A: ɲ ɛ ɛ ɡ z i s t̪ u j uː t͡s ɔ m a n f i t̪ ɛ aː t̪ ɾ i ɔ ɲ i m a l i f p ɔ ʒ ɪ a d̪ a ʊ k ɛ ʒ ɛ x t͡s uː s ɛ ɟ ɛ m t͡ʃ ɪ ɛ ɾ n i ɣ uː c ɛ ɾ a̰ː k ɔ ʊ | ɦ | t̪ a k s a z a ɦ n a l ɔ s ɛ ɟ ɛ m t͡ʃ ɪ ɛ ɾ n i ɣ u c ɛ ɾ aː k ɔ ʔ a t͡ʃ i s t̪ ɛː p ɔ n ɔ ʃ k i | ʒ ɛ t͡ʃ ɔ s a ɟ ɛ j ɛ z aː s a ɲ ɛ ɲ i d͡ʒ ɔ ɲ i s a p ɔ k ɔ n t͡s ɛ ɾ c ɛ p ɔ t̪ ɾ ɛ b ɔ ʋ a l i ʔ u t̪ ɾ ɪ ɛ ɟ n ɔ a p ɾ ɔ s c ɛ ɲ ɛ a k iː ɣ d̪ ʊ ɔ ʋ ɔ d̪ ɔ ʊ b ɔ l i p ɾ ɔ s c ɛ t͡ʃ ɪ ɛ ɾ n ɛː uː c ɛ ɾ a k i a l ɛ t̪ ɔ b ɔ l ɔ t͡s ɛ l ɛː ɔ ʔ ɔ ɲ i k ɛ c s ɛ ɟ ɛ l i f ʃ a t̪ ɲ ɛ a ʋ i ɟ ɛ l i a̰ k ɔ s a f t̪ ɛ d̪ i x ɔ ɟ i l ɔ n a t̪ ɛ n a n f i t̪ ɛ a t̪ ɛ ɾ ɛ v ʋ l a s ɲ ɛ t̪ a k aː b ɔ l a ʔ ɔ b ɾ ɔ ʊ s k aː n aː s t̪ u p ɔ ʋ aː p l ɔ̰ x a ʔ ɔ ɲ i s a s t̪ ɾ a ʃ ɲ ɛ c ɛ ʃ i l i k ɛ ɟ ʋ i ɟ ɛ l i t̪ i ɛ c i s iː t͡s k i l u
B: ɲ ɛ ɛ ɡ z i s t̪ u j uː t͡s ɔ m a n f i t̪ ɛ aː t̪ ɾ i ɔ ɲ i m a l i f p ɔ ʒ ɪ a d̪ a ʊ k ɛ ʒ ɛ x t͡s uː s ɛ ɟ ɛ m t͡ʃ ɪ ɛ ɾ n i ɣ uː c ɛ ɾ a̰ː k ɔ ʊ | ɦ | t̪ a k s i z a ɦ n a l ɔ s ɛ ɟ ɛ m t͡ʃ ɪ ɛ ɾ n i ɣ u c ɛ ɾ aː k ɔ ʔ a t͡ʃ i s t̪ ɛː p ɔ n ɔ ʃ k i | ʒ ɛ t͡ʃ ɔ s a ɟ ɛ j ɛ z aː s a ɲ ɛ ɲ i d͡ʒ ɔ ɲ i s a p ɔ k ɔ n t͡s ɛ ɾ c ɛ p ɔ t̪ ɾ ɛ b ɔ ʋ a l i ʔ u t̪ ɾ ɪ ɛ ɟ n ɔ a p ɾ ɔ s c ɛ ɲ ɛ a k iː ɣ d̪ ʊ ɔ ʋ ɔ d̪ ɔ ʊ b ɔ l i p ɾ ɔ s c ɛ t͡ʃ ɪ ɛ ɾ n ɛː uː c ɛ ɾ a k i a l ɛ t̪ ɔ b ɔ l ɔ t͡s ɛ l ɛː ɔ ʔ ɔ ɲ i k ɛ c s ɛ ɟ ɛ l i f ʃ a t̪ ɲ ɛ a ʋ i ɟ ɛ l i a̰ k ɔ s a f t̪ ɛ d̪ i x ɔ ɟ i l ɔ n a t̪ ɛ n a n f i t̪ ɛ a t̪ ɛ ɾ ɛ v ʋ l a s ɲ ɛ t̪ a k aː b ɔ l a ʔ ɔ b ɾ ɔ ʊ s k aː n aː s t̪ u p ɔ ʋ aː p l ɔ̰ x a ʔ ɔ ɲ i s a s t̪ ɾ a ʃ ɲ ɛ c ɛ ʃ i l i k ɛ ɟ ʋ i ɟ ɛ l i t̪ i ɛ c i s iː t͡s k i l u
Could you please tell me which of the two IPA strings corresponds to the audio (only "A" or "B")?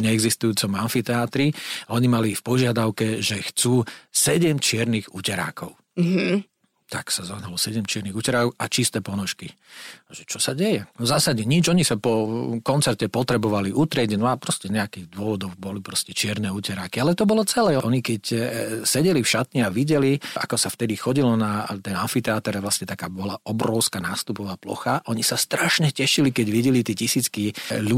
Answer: A